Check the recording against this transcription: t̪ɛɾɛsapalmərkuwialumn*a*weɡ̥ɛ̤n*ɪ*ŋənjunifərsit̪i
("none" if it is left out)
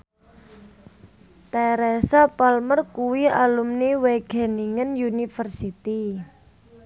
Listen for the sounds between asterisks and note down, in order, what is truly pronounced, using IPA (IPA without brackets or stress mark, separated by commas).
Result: i, i